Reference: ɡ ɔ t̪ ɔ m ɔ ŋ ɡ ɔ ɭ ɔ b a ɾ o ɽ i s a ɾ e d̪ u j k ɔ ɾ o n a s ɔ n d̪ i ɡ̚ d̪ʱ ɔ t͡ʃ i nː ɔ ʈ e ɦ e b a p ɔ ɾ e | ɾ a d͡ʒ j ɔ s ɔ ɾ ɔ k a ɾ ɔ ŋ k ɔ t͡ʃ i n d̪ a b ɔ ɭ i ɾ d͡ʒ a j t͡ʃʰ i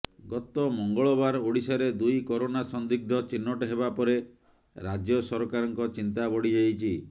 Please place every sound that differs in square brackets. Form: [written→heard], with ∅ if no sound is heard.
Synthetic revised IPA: ɡ ɔ t̪ ɔ m ɔ ŋ ɡ ɔ ɭ ɔ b a ɾ o ɽ i s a ɾ e d̪ u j k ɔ ɾ o n a s ɔ n d̪ i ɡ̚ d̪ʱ ɔ t͡ʃ i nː ɔ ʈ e ɦ e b a p ɔ ɾ e | ɾ a d͡ʒ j ɔ s ɔ ɾ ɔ k a ɾ ɔ ŋ k ɔ t͡ʃ i n [d̪→t̪] a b ɔ [ɭ→ɽ] i [ɾ→∅] d͡ʒ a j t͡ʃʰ i